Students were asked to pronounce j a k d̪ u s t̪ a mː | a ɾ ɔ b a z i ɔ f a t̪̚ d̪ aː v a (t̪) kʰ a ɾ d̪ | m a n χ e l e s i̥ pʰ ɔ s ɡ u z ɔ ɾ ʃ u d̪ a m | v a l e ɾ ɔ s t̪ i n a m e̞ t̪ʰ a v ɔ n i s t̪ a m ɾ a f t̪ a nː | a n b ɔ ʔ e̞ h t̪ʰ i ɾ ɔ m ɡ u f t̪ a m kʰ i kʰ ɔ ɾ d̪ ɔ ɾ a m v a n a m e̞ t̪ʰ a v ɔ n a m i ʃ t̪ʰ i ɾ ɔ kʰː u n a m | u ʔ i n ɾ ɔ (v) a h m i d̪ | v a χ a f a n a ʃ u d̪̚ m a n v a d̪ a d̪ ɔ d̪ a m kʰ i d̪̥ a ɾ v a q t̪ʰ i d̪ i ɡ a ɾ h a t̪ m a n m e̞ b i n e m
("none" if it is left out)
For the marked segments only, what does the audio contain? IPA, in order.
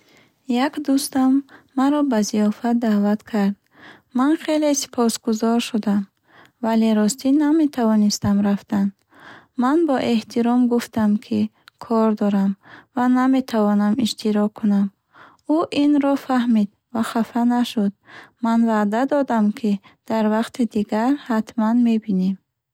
t̪, f

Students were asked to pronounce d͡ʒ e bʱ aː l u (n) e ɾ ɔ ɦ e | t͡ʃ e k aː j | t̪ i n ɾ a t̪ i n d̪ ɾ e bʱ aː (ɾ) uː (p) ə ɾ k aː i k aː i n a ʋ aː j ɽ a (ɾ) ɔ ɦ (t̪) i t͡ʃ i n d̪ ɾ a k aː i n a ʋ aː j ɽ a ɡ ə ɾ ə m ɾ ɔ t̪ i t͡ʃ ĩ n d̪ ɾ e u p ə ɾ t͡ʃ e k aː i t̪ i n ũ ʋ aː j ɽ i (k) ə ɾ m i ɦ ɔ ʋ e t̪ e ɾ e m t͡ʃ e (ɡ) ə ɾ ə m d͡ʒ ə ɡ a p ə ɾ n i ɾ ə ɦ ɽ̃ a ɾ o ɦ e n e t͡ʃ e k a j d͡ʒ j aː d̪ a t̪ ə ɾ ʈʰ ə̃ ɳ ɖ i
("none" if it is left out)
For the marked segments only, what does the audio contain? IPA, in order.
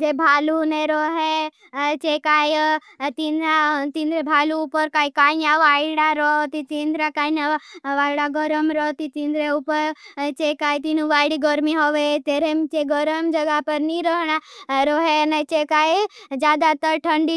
n, l, p, ɾ, t̪, ɡ, ɡ

